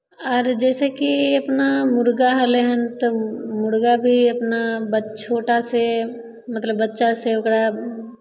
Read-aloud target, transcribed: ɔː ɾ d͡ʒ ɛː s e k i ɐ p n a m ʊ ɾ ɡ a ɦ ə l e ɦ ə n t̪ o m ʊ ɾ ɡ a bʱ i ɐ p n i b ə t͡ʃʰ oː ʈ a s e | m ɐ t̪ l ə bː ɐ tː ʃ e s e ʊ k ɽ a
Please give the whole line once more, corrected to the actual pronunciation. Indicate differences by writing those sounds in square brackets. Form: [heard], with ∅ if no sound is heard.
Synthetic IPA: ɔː ɾ d͡ʒ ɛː s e k i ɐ p n a m ʊ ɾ ɡ a ɦ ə l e ɦ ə n t̪ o m ʊ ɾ ɡ a bʱ i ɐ p n [a] b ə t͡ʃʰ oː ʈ a s e | m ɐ t̪ l ə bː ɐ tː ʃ [a] s e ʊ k ɽ a